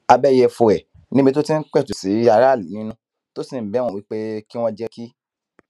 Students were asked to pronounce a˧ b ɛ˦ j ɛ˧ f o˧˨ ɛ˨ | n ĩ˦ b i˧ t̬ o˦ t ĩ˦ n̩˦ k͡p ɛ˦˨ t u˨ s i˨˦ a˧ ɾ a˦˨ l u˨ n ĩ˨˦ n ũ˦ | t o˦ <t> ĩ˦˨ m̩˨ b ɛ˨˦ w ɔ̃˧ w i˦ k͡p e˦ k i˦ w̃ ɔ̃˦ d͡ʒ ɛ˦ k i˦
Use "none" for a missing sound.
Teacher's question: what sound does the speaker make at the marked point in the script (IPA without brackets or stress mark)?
s